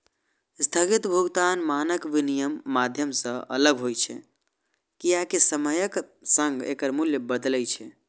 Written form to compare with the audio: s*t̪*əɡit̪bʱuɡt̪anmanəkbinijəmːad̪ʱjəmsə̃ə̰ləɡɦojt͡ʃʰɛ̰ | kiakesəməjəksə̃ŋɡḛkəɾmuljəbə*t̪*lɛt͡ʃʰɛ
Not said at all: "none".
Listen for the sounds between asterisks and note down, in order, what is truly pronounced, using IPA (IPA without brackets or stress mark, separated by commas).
t̪ʰ, d̪